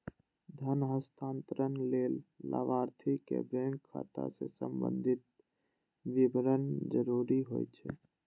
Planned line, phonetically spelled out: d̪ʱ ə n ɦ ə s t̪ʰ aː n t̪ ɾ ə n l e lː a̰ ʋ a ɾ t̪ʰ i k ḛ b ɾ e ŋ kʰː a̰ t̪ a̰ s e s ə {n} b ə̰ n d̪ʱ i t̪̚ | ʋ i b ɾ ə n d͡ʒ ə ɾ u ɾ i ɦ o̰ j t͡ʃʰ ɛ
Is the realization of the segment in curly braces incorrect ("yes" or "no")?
yes